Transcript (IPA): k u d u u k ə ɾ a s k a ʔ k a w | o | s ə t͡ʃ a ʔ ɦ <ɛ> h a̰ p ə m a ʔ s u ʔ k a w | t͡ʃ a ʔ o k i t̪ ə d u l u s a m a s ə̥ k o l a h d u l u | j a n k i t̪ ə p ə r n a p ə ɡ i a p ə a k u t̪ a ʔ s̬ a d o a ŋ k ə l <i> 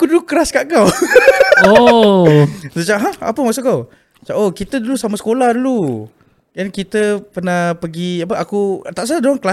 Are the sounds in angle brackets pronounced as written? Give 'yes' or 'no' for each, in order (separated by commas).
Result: no, no